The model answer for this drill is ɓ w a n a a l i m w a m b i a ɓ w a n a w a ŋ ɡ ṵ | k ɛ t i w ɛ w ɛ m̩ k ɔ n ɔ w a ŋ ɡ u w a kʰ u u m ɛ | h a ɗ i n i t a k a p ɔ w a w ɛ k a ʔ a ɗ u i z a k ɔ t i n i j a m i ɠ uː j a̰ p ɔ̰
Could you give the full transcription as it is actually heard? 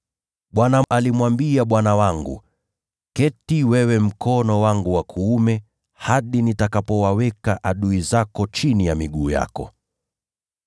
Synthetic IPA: ɓ w a n a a l i m w a m b i a ɓ w a n a w a ŋ ɡ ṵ | k ɛ t i w ɛ w ɛ m̩ k ɔ n ɔ w a ŋ ɡ u w a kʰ u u m ɛ | h a ɗ i n i t a k a p ɔ w a w ɛ k a ʔ a ɗ u i z a k ɔ t͡ʃ i n i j a m i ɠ uː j a̰ k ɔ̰